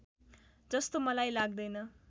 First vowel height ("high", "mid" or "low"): mid